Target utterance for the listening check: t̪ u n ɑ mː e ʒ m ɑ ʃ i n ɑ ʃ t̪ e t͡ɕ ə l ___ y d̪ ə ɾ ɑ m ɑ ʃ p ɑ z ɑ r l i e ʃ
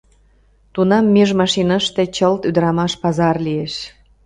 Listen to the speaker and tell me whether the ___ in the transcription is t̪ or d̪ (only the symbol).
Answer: t̪